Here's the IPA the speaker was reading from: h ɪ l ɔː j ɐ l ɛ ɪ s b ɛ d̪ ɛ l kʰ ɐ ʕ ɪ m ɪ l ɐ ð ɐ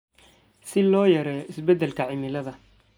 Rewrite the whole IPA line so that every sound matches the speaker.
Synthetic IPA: s ɪ l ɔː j ɐ ɾ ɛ ɪ s b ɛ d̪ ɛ l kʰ ɐ ʕ ɪ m ɪ l ɐ ð ɐ